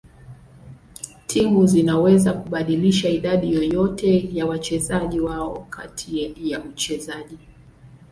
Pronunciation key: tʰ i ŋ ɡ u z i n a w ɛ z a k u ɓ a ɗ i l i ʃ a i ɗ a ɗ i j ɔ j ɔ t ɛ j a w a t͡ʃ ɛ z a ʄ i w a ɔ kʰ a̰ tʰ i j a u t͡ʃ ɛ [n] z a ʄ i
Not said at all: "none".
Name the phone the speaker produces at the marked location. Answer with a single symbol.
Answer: none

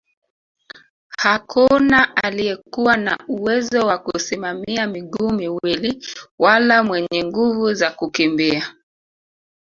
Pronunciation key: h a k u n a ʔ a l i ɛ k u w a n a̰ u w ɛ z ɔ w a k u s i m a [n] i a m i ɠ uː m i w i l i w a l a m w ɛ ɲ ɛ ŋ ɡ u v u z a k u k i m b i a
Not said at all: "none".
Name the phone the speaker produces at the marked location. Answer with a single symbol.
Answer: m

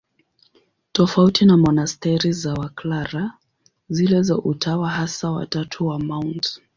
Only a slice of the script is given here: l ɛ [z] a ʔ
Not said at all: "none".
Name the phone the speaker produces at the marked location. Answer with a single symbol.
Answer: z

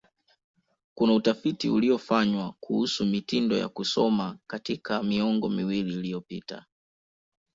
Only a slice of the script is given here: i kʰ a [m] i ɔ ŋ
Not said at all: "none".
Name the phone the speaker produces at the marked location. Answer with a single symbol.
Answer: m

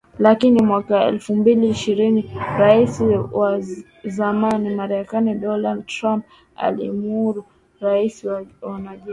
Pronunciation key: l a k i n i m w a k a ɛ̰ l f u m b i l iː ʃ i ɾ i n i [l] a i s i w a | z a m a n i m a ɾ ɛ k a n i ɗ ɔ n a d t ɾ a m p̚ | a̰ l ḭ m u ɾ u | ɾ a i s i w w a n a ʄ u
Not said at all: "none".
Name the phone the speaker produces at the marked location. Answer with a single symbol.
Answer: ɾ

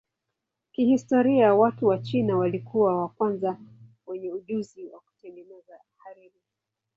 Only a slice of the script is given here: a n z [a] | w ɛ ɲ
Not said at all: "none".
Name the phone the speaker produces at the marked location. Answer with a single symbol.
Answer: a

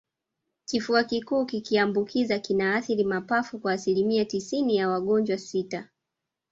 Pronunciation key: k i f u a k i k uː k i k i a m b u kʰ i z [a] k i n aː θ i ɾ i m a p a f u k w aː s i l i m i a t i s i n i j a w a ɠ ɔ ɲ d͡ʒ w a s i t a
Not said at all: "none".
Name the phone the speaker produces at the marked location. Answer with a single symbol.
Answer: a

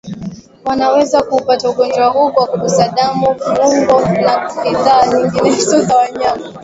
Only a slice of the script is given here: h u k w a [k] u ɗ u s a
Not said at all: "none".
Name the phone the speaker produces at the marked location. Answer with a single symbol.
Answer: k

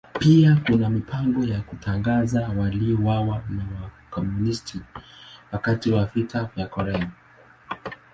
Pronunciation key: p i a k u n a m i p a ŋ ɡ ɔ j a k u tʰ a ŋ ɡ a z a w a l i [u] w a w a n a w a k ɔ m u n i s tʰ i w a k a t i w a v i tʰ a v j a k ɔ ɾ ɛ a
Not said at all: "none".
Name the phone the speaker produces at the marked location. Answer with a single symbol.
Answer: ɔ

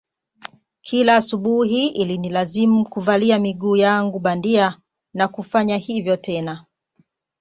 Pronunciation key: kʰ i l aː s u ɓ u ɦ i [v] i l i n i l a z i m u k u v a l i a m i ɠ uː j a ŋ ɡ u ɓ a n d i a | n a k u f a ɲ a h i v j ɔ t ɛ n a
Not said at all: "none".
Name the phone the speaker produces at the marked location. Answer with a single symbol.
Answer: none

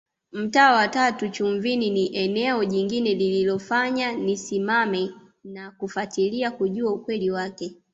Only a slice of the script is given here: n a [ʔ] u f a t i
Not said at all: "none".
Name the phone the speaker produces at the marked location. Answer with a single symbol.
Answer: k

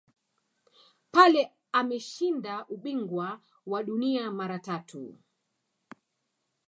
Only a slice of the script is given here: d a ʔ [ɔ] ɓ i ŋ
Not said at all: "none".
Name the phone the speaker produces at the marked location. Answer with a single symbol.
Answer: u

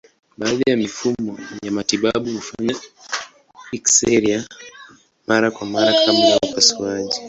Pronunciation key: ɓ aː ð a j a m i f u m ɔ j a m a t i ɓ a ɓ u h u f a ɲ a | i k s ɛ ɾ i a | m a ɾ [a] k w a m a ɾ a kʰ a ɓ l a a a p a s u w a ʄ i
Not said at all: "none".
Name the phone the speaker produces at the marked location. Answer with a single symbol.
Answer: a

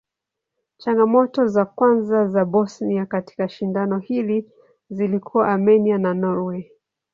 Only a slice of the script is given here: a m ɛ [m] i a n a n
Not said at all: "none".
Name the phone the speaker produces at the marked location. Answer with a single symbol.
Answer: n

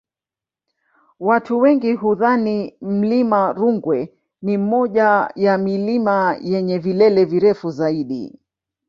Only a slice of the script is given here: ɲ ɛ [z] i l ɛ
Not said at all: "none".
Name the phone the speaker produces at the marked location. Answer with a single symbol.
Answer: v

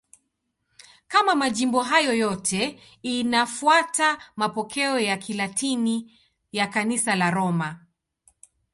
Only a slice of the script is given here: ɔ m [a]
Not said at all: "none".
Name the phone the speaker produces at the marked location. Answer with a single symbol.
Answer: a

